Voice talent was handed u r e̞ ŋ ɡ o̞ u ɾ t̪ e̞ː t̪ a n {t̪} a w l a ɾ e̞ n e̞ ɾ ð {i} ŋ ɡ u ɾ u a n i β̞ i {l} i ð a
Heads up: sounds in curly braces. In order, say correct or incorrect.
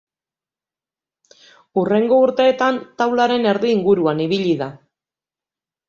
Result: correct, incorrect: iː, incorrect: ʎ

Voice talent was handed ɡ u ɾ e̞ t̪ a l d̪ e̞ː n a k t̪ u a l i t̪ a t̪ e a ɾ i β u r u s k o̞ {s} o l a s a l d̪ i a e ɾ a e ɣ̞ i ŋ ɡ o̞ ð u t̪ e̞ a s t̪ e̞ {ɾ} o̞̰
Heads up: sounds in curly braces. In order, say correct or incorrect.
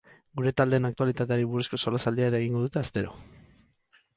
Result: correct, correct

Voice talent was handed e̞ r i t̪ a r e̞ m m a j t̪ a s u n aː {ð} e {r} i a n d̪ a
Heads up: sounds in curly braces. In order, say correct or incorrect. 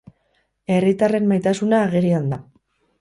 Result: incorrect: ɣ, incorrect: ɾ

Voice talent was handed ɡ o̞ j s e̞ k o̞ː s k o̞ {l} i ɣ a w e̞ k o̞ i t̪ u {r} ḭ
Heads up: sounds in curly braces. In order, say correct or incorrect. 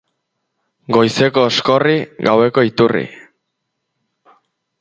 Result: incorrect: r, correct

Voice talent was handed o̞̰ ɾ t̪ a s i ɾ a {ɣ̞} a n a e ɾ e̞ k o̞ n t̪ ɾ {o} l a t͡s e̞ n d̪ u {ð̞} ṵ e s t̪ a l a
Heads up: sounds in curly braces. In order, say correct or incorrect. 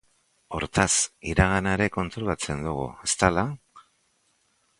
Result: correct, correct, incorrect: ɣ̞

